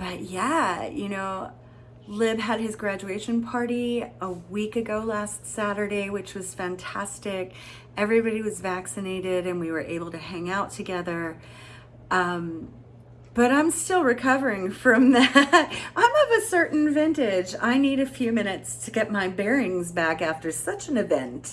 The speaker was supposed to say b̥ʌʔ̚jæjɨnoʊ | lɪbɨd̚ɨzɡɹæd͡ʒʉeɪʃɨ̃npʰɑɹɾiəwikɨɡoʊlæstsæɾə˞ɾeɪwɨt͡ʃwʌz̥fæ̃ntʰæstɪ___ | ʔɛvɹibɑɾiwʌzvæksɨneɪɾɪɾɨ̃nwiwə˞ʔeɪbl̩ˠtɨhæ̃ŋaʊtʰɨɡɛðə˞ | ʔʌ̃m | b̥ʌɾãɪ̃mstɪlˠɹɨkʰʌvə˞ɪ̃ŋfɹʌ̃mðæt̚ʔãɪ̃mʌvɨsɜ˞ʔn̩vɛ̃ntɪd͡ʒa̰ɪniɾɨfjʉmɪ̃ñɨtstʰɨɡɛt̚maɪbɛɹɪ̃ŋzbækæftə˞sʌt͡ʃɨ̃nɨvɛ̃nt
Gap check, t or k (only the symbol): k